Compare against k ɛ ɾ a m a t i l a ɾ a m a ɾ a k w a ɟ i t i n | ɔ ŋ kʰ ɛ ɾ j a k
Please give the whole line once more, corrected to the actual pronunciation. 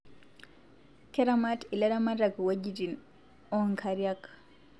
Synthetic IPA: k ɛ ɾ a m a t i l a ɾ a m a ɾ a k w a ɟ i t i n | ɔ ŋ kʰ a ɾ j a k